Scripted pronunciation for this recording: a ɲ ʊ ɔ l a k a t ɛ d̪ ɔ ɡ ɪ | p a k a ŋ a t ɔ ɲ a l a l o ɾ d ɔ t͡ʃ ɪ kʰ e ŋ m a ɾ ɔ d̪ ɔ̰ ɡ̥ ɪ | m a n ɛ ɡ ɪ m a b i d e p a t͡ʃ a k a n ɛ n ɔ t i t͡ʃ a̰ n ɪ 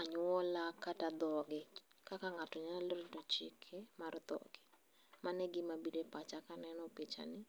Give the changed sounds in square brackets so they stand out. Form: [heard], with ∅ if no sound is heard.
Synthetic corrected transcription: a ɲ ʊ ɔ l a k a t [a] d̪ ɔ ɡ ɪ | [k] a k a ŋ a t ɔ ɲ a l a l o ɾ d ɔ t͡ʃ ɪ kʰ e [∅] m a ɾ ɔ d̪ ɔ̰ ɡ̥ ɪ | m a n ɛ ɡ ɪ m a b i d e p a t͡ʃ a k a n ɛ n ɔ [p] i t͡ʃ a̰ n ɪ